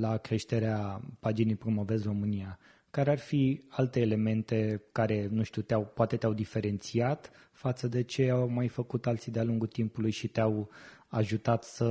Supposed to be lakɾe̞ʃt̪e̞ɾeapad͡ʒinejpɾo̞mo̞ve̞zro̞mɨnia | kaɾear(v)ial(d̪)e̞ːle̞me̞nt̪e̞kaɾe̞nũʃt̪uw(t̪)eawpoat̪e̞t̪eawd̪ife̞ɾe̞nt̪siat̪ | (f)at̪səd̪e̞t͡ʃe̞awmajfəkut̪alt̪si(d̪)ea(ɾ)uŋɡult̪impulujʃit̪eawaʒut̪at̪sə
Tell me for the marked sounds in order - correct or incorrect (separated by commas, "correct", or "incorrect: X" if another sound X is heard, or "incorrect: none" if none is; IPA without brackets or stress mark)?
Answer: incorrect: f, incorrect: t̪, correct, correct, correct, incorrect: l